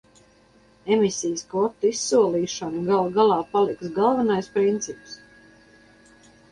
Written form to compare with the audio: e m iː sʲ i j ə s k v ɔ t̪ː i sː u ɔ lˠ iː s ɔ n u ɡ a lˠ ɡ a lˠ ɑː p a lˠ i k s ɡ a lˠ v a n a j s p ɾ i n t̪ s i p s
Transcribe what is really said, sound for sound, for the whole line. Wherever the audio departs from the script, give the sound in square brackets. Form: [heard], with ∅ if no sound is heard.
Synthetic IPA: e m [i] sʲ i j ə s k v ɔ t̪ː i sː u ɔ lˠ iː [ʃ] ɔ n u ɡ a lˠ ɡ a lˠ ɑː p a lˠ i k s ɡ a lˠ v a n a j s p ɾ i n t̪ s i p s